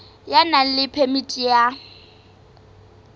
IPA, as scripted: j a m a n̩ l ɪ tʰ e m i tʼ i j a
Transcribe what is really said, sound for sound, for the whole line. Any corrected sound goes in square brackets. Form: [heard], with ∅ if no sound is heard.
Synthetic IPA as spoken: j a [n] a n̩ l ɪ [pʰ] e m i tʼ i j a